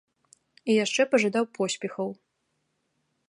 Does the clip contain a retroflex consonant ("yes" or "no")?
yes